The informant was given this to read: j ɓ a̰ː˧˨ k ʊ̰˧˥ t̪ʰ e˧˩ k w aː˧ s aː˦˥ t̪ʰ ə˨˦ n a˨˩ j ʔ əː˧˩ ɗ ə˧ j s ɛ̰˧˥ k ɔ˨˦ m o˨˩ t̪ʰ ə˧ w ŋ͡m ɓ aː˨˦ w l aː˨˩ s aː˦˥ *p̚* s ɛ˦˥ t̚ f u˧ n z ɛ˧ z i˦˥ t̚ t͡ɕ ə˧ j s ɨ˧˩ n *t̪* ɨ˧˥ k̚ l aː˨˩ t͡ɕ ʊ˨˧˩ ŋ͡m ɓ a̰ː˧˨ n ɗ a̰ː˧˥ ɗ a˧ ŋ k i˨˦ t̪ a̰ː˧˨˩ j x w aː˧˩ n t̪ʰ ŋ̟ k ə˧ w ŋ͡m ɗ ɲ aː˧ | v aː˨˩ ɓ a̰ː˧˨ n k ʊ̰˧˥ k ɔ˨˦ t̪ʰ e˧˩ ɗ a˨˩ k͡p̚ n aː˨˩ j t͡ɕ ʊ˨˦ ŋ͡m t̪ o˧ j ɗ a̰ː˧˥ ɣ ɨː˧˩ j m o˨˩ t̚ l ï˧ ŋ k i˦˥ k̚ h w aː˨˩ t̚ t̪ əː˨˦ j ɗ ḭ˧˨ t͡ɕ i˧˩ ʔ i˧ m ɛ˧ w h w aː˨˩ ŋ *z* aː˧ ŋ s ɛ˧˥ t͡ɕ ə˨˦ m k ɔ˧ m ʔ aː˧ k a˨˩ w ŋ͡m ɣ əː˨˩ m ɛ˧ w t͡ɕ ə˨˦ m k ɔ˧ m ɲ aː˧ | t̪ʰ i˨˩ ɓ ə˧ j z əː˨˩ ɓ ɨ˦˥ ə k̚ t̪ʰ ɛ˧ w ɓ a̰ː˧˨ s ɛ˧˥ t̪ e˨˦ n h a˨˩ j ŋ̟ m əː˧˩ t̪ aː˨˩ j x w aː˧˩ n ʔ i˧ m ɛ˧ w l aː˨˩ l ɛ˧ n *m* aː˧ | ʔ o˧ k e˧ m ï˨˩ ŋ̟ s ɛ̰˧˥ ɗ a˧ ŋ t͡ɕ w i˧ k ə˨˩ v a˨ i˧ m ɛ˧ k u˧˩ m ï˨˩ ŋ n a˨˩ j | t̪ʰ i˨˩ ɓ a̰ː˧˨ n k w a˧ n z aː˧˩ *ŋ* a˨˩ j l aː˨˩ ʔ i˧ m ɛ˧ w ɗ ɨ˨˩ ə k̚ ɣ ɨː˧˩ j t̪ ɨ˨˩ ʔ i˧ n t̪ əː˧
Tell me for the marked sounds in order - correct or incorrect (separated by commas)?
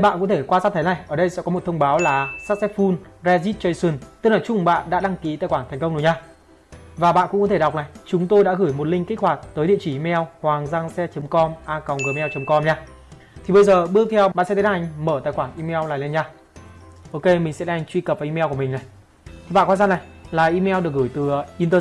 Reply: incorrect, correct, correct, incorrect, incorrect